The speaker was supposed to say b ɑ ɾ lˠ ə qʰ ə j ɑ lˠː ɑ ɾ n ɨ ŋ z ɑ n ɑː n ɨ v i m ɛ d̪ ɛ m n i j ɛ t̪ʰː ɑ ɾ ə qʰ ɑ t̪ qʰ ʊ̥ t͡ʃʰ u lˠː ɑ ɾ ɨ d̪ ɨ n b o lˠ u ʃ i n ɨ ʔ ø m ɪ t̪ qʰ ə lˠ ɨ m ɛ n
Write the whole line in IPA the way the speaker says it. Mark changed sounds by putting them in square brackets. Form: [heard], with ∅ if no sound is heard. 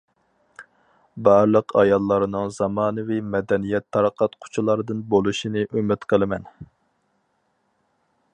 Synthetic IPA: b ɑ ɾ lˠ ə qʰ [ɑ] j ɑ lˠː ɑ ɾ n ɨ ŋ z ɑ [m] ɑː n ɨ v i m ɛ d̪ ɛ [∅] n i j ɛ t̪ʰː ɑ ɾ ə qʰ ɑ t̪ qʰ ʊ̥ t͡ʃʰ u [lˠ] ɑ ɾ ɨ d̪ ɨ n b o lˠ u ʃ i n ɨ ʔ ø m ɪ t̪ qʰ ə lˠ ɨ m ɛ n